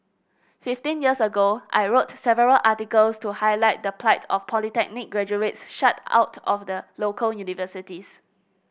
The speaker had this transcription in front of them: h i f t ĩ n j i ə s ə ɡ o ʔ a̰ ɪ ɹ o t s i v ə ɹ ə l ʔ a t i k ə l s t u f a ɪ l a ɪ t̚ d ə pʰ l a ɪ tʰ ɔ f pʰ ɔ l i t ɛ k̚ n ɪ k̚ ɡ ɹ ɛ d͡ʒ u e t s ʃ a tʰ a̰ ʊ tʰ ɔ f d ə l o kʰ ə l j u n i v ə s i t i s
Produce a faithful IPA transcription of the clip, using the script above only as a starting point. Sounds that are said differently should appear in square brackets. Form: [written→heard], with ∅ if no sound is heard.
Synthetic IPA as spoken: [h→f] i f t ĩ n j i ə s ə ɡ o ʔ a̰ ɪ ɹ o t s [i→ɛ] v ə ɹ ə l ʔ a t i k ə l s t u [f→h] a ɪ l a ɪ t̚ d ə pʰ l a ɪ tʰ ɔ f pʰ ɔ l i t ɛ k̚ n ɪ k̚ ɡ ɹ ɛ d͡ʒ u e t s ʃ a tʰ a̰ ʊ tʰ ɔ f d ə l o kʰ ə l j u n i v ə s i t i s